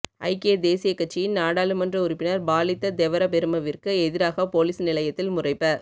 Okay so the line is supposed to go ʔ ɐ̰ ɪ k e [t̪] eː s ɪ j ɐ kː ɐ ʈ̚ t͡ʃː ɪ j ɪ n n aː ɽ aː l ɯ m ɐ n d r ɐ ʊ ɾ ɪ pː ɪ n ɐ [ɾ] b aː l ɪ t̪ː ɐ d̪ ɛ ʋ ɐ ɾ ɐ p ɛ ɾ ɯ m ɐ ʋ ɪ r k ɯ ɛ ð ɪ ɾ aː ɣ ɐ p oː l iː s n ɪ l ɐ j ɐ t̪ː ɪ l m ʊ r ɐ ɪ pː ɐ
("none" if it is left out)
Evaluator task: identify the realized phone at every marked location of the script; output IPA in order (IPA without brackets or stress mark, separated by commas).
d̪, ɾ